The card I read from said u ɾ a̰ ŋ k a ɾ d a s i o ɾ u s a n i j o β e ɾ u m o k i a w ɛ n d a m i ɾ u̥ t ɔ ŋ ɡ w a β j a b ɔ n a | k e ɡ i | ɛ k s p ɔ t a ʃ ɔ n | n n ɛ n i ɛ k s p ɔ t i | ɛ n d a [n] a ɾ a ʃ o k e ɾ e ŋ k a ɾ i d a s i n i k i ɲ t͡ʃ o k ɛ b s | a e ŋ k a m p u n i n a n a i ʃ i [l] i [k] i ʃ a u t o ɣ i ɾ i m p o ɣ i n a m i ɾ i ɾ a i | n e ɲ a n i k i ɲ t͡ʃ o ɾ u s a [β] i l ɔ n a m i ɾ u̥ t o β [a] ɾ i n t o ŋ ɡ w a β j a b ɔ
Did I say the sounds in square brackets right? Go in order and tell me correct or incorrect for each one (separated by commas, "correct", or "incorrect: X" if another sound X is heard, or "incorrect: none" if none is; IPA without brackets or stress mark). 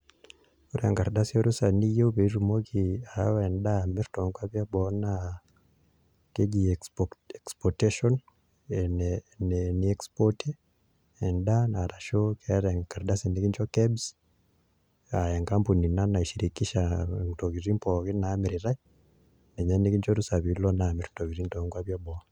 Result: correct, incorrect: ɾ, correct, correct, incorrect: i